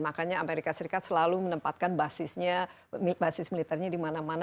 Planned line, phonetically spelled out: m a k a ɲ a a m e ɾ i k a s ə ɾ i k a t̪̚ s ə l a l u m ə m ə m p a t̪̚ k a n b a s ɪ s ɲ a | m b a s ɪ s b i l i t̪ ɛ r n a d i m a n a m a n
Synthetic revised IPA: m a k a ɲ a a m e ɾ i k a s ə ɾ i k a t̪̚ s ə l a l u m ə n ə m p a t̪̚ k a n b a s ɪ s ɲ a | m b a s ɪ s m i l i t̪ ɛ r ɲ a d i m a n a m a n